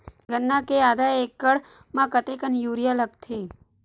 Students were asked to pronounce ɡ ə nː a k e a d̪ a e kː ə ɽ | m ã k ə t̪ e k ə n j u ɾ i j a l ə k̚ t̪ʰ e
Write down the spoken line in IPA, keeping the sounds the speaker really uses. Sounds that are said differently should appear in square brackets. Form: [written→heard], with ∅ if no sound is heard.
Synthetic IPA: ɡ ə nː a k e a d̪ a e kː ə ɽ | m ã k ə t̪ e k ə n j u ɾ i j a l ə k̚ t̪ʰ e